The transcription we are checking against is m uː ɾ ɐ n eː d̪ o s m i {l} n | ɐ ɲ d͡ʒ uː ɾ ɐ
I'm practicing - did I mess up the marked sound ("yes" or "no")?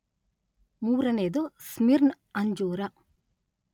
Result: yes